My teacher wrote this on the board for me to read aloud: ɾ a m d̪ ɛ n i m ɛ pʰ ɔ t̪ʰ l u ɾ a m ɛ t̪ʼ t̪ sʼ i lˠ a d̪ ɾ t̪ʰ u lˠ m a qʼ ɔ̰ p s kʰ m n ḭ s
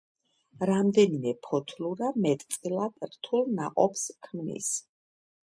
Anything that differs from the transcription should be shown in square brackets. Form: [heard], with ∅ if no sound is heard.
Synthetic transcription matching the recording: ɾ a m d̪ ɛ n i m ɛ pʰ ɔ t̪ʰ l u ɾ a m ɛ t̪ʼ t̪ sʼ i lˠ a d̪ ɾ t̪ʰ u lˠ [n] a qʼ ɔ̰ p s kʰ m n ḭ s